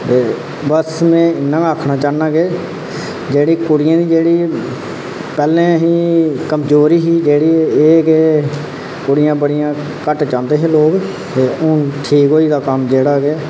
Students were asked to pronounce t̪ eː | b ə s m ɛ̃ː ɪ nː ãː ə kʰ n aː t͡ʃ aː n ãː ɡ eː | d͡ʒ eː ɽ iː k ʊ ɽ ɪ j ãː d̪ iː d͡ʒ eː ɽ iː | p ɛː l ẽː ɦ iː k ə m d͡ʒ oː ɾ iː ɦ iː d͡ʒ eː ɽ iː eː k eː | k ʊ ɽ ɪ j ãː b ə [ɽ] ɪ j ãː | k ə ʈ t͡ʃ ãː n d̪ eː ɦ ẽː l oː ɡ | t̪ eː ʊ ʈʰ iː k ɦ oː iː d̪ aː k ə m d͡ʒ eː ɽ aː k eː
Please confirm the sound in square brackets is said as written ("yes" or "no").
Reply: yes